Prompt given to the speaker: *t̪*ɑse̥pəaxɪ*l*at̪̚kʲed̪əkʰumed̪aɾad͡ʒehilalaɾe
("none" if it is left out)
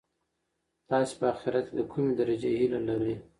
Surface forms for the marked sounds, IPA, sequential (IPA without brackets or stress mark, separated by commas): t̪, ɾ